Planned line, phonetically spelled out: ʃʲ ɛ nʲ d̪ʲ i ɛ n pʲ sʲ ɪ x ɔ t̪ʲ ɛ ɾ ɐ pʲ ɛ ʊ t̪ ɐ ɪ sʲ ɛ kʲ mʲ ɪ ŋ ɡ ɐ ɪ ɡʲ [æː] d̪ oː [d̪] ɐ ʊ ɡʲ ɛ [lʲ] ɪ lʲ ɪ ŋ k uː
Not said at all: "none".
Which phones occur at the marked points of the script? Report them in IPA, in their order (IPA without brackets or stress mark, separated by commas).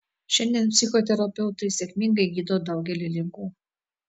iː, d̪, lʲ